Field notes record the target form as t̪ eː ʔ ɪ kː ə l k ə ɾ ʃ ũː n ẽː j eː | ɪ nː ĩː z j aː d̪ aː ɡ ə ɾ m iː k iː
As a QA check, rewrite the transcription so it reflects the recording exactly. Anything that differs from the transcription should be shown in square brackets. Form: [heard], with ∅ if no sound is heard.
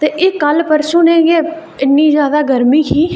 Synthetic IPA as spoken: t̪ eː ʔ ɪ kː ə l [p] ə ɾ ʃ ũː n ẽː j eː | ɪ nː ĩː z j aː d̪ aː ɡ ə ɾ m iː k iː